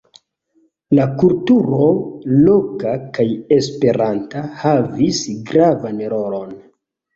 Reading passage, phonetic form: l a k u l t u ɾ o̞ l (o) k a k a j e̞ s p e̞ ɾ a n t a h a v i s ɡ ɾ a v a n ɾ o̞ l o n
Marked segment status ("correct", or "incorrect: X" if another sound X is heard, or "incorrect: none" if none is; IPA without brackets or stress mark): correct